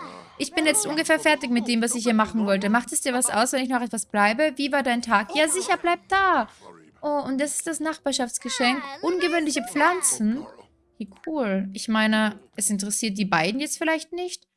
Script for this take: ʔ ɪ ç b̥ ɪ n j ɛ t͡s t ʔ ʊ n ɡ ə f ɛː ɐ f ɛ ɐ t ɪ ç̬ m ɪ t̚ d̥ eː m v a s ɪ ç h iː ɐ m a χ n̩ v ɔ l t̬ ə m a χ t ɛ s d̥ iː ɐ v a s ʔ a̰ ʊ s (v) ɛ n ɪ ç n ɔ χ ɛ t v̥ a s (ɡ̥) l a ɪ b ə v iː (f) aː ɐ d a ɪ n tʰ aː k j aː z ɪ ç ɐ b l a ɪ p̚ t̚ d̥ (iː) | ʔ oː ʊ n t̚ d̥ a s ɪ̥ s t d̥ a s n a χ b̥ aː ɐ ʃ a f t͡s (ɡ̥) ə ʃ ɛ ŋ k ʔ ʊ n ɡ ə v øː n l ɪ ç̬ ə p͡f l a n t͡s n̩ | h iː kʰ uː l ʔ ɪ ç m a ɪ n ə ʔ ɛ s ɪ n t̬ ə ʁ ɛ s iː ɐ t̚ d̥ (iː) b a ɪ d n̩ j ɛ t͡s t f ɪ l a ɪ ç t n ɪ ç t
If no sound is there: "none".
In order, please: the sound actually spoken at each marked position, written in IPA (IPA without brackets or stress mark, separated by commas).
v, b̥, v, aː, ɡ̥, iː